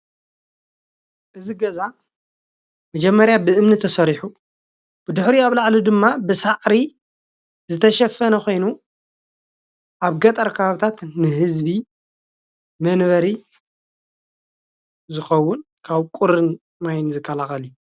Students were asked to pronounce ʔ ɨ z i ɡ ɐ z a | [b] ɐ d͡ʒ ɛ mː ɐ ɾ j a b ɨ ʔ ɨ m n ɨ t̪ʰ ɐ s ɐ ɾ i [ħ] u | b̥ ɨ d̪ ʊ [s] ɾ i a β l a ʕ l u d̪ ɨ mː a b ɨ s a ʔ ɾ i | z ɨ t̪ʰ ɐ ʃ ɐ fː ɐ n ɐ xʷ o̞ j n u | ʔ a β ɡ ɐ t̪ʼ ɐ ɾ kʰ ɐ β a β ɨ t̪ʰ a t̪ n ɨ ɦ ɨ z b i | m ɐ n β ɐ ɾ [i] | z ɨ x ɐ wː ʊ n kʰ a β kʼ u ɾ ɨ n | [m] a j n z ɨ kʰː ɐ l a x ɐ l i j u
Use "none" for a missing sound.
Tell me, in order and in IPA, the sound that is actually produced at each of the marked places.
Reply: m, ħ, ħ, i, m

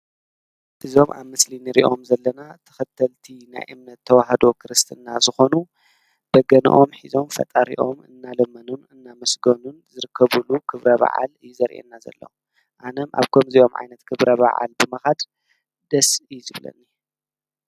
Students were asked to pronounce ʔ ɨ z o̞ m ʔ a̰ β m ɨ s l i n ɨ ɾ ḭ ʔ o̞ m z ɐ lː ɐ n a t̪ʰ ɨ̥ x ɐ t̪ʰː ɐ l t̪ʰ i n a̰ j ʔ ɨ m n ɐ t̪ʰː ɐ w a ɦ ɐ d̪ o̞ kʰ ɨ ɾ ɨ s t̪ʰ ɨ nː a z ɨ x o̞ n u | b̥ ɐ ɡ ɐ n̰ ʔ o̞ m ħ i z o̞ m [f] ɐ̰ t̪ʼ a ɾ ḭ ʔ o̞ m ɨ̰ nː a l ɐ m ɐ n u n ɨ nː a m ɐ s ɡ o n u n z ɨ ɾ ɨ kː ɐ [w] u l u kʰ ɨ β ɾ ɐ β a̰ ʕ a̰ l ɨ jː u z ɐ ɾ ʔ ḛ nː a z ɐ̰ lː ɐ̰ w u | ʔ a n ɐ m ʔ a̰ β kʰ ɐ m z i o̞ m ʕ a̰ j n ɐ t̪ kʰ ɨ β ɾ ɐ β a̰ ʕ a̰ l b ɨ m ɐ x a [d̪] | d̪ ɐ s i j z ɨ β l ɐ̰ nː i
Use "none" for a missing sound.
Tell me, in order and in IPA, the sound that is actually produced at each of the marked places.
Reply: f, β, d̪

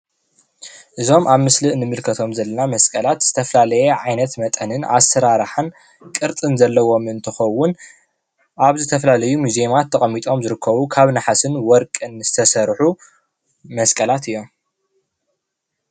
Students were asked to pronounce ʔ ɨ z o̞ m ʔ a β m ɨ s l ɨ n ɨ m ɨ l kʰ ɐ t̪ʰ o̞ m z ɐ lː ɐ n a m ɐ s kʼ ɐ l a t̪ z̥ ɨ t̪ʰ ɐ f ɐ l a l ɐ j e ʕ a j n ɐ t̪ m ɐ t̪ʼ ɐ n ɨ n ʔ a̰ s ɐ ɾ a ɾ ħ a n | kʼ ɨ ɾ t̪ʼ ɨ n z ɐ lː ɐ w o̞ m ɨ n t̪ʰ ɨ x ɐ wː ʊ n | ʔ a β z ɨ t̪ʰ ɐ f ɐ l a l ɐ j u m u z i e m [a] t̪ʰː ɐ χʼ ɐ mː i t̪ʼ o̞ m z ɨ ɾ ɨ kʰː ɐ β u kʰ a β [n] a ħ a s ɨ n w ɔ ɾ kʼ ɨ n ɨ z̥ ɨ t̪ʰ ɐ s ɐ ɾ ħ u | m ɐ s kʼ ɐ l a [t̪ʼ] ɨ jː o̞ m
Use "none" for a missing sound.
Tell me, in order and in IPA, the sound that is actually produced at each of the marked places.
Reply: a, n, t̪

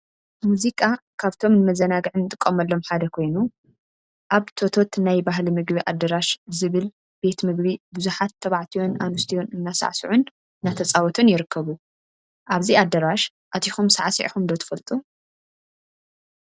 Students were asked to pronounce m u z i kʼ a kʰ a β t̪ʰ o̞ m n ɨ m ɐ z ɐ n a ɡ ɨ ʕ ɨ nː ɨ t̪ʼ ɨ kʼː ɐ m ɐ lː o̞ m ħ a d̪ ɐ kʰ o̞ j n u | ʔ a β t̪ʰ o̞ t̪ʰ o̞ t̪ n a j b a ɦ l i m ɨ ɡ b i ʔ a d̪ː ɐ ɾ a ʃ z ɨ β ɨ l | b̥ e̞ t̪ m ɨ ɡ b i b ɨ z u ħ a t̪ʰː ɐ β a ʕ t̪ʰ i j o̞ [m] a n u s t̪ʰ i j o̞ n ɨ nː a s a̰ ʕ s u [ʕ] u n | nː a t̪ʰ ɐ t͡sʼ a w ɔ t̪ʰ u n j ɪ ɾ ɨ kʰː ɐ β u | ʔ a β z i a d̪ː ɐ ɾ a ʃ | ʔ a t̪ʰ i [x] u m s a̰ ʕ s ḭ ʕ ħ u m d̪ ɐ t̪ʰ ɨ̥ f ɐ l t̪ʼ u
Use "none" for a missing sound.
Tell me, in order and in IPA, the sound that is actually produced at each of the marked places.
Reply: n, ʕ, x

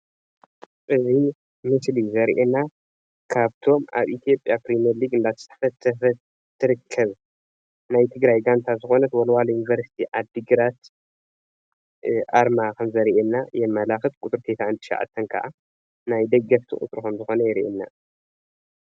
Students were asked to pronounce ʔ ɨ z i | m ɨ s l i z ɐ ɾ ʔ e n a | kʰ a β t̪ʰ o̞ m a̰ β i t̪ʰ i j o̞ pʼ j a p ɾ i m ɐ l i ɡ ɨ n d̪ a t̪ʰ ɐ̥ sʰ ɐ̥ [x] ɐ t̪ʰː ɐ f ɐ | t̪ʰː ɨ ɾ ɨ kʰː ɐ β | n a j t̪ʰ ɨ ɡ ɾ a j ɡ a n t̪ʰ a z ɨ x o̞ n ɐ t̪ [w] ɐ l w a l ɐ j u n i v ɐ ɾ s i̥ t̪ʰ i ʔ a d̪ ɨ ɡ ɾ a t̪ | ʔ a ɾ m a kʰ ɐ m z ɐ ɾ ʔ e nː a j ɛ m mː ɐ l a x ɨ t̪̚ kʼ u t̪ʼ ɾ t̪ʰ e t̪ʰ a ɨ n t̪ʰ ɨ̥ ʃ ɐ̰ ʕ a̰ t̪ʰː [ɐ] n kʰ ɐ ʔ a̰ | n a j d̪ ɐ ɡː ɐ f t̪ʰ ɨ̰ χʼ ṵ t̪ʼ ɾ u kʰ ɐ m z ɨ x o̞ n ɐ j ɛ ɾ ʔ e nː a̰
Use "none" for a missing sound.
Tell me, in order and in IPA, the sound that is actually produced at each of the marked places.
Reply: f, w, ɐ

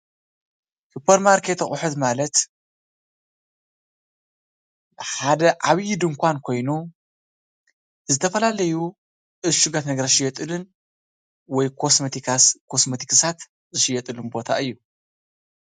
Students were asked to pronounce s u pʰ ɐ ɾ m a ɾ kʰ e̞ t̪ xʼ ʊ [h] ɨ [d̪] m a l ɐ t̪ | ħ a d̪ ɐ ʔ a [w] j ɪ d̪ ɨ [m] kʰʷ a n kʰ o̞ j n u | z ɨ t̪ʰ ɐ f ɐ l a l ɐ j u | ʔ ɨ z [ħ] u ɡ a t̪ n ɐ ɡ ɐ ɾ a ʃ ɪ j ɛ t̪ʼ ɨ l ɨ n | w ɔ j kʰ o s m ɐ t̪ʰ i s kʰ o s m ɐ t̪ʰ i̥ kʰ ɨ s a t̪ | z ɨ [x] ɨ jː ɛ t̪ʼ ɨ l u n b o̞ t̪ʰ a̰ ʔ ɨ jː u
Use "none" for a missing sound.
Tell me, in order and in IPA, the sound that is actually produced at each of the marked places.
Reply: ħ, t̪, β, ŋ, ʃ, ʃ

